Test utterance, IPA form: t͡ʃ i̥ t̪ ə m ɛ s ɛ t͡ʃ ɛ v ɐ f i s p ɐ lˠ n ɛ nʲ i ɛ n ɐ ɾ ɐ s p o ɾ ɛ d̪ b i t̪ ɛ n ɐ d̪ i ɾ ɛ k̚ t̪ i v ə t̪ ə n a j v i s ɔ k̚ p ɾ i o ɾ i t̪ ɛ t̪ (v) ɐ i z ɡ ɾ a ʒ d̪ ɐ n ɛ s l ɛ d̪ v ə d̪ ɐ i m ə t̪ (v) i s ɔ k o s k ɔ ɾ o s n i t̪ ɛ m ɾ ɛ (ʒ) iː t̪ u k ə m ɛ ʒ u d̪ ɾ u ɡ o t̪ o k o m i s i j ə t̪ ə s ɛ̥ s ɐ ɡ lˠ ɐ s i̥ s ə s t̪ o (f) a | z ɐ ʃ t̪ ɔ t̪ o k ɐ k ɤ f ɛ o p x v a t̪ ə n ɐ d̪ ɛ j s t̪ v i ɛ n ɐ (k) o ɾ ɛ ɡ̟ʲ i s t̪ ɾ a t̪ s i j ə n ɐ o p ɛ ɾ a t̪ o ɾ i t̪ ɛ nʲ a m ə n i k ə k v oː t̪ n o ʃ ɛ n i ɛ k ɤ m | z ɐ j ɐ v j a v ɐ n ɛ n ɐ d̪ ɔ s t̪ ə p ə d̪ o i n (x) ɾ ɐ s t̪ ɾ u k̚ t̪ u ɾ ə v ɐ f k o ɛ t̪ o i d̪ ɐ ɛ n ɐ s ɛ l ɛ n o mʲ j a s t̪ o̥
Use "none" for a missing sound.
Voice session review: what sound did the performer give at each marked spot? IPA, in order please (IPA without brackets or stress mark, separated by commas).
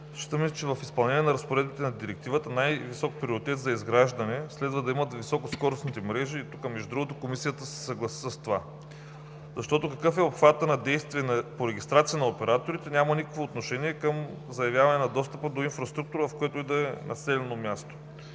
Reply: z, v, ʒ, v, p, f